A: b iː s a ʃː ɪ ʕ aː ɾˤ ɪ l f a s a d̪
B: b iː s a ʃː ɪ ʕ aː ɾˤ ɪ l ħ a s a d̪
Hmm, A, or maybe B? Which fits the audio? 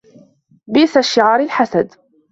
B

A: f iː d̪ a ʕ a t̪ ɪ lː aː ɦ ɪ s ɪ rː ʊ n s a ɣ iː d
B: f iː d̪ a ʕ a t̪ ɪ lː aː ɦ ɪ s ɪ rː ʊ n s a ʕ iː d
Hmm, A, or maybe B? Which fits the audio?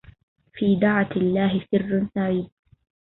B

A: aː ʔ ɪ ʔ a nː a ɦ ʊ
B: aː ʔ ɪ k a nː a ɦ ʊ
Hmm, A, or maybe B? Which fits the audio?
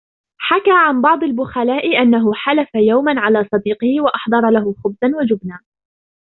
A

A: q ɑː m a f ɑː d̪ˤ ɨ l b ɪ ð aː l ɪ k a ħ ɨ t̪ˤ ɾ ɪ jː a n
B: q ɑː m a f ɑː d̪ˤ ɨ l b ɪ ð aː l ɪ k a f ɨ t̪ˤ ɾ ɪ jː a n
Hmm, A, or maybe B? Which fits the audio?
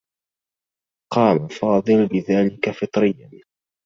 B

